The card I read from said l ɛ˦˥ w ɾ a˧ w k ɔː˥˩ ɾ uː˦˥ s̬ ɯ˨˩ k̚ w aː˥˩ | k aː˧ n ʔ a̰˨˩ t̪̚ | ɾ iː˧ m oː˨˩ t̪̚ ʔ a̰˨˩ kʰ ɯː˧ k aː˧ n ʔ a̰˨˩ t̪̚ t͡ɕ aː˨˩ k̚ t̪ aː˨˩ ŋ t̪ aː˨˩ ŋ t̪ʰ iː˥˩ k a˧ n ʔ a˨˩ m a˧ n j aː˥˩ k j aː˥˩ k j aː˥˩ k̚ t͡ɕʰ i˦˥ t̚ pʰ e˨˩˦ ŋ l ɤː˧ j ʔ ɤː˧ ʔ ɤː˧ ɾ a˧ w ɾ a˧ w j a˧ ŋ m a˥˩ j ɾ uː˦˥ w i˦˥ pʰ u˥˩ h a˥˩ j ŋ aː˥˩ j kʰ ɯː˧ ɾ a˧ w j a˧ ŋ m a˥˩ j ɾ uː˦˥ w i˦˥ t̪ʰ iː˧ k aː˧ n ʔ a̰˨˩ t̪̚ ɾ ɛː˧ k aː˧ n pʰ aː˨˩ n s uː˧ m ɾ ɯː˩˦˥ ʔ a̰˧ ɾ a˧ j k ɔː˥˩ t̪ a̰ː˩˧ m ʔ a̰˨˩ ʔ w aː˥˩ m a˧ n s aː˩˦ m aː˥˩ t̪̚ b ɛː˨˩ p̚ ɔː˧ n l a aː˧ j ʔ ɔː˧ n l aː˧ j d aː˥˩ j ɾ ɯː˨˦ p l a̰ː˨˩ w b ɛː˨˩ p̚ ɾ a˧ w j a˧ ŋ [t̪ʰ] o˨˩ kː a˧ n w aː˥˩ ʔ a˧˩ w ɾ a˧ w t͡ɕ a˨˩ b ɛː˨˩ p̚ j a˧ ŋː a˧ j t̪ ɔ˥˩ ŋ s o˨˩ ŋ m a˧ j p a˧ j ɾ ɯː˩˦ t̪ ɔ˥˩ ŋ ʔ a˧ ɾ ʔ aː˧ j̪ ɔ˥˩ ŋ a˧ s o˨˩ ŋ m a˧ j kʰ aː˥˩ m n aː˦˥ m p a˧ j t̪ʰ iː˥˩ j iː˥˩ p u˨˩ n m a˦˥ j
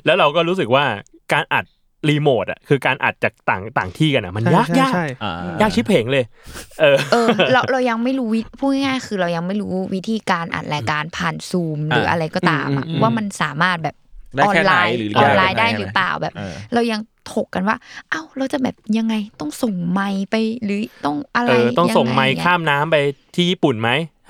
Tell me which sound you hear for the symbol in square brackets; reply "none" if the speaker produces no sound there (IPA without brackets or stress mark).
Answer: t̪ʰ